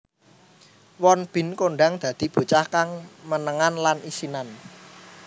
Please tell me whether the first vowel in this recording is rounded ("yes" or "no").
yes